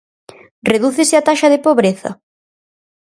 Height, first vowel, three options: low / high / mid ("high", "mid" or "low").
mid